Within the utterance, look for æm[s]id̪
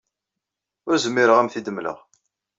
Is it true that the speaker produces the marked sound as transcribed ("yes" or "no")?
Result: no